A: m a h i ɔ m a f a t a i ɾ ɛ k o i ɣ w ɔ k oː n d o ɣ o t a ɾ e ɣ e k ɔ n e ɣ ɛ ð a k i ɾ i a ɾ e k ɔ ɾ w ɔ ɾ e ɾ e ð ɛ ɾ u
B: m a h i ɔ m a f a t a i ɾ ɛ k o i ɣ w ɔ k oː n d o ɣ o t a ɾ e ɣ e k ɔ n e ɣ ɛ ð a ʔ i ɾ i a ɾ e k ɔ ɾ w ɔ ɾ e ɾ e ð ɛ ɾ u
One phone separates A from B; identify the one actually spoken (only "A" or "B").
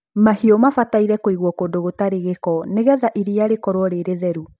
B